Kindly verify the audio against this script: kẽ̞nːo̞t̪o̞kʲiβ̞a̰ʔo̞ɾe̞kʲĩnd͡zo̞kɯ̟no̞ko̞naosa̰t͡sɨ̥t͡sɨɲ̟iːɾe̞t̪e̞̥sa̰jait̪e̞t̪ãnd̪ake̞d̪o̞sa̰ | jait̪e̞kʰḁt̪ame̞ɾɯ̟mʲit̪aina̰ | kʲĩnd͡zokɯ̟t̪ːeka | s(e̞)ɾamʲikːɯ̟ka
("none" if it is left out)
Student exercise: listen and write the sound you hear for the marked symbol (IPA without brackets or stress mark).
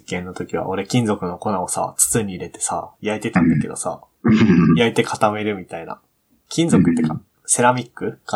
e̞